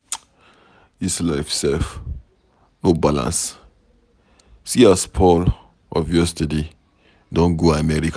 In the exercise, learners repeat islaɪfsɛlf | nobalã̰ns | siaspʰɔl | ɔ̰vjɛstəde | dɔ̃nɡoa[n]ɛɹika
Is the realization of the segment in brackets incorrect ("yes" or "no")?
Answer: yes